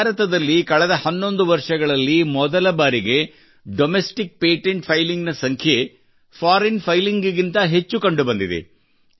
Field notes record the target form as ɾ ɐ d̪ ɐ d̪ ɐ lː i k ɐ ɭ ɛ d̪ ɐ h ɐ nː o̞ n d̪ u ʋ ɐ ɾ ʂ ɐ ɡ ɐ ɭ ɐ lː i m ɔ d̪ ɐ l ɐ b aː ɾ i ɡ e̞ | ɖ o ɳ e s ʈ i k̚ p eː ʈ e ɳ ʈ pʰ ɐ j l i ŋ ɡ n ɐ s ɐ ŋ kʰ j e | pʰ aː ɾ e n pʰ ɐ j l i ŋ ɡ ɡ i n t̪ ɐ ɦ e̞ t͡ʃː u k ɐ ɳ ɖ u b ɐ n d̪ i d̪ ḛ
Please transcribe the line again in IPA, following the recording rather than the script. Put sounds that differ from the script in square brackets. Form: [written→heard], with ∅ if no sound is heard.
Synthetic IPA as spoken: ɾ ɐ [d̪→t̪] ɐ d̪ ɐ lː i k ɐ ɭ ɛ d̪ ɐ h ɐ nː o̞ n d̪ u ʋ ɐ ɾ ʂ ɐ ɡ ɐ ɭ ɐ lː i m ɔ d̪ ɐ l ɐ b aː ɾ i ɡ e̞ | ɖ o [ɳ→m] e s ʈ i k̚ p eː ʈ e ɳ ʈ pʰ ɐ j l i ŋ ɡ n ɐ s ɐ ŋ kʰ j e | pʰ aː ɾ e n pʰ ɐ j l i ŋ ɡ ɡ i n t̪ ɐ ɦ e̞ t͡ʃː u k ɐ ɳ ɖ u b ɐ n d̪ i d̪ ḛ